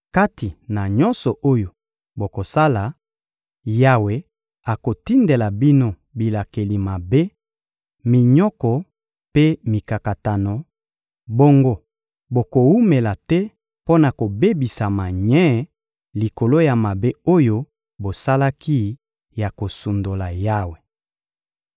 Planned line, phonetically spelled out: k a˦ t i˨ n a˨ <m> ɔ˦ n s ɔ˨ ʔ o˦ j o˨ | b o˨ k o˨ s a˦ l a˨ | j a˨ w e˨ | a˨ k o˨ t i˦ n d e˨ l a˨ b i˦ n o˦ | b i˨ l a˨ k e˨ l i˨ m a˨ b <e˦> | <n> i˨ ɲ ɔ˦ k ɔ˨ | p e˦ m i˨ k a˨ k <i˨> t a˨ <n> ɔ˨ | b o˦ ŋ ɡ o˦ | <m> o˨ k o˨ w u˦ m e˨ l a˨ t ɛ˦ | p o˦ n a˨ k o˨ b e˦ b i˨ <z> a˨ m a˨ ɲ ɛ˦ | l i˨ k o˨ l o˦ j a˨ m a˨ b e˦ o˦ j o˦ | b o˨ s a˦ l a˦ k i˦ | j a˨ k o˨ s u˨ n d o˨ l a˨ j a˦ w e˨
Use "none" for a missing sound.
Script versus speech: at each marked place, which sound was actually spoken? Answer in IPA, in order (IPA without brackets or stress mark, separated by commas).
ɲ, e˦, m, a˨, n, b, s